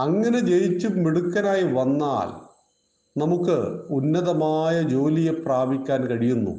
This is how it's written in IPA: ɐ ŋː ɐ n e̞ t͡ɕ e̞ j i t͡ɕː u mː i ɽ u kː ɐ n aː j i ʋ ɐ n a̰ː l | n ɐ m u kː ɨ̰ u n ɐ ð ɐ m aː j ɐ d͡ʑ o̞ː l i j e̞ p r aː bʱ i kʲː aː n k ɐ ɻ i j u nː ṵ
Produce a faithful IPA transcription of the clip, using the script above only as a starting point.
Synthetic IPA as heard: ɐ ŋː ɐ n e̞ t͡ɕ e̞ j i t͡ɕː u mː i ɽ u kː ɐ n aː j i ʋ ɐ nː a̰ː l | n ɐ m u kː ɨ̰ u nː ɐ ð ɐ m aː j ɐ d͡ʑ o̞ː l i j e̞ p r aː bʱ i kʲː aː n k ɐ ɻ i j u nː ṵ